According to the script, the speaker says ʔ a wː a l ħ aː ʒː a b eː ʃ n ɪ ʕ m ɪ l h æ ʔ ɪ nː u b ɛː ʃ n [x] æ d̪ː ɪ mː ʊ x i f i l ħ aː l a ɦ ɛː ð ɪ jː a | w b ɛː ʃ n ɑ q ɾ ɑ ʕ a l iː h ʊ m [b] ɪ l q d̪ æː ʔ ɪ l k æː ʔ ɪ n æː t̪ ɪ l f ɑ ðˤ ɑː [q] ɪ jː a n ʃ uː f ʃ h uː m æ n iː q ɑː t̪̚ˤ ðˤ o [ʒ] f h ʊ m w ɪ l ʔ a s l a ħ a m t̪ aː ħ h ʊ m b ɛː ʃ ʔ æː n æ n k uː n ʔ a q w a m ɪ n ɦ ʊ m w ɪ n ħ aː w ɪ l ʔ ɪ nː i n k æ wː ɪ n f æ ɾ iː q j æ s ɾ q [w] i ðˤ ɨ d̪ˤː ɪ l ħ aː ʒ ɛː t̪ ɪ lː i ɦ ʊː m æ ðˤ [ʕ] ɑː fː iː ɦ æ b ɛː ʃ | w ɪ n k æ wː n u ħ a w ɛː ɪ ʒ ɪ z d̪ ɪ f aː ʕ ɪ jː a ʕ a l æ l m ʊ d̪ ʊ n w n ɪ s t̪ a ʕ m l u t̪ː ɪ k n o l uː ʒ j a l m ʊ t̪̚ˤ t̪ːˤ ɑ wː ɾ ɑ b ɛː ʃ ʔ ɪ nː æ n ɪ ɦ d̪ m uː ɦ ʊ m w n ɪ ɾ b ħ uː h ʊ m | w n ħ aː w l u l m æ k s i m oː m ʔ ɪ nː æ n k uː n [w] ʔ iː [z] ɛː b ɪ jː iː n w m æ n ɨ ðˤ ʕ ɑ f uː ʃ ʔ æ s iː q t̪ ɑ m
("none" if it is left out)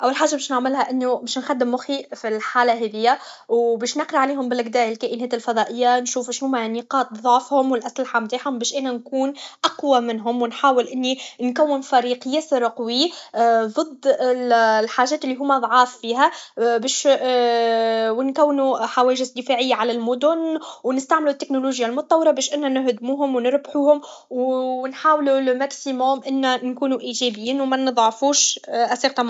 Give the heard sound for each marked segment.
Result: x, b, ʔ, ʕ, w, ʕ, u, ʒ

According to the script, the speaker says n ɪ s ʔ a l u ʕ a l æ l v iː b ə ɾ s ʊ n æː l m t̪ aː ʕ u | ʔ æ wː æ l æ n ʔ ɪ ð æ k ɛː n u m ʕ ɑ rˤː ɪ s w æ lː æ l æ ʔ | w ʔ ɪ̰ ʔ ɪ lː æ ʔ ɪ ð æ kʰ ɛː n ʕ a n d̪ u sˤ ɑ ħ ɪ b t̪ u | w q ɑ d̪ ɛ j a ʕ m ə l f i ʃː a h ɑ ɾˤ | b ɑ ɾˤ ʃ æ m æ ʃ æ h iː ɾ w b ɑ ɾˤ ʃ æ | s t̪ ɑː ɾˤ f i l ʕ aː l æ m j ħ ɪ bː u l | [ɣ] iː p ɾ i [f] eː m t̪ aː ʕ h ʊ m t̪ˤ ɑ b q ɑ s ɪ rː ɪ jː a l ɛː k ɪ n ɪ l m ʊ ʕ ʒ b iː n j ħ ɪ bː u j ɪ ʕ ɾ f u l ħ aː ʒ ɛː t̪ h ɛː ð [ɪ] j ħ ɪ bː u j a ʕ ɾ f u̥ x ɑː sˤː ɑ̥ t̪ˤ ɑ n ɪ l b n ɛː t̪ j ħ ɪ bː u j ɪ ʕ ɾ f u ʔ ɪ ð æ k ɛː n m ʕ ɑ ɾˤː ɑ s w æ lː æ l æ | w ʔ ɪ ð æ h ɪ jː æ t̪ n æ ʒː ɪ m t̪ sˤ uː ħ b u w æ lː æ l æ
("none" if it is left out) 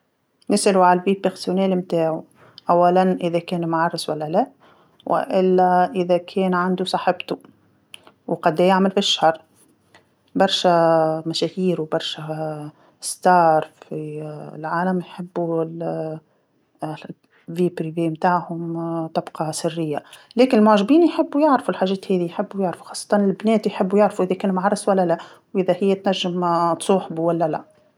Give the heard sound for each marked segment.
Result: v, v, i

